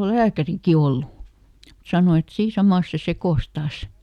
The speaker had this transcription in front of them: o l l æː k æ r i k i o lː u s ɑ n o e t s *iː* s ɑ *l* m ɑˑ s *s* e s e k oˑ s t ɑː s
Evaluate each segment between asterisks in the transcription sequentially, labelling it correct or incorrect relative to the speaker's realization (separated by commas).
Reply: correct, incorrect, correct